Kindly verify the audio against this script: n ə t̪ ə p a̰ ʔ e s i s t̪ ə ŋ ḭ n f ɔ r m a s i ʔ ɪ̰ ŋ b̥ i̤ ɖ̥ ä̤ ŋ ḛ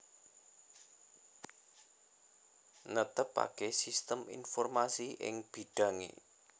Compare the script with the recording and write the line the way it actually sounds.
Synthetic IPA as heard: n ə t̪ ə p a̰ k e s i s t̪ ə m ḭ n f ɔ r m a s i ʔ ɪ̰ ŋ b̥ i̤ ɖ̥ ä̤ ŋ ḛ